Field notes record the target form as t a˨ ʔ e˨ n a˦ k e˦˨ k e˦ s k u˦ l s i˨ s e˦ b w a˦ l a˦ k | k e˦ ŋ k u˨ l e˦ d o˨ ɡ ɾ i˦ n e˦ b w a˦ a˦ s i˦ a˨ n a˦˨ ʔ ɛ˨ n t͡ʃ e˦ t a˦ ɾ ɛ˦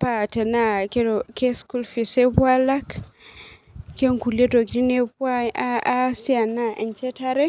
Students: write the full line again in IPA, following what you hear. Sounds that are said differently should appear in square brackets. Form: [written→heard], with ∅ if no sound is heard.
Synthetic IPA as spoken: [t→p] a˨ [ʔ→t] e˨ n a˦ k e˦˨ k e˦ s k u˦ l [s→f] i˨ s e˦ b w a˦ l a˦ k | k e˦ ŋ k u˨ l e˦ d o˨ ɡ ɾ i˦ n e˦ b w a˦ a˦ s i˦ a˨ n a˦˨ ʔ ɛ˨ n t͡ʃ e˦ t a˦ ɾ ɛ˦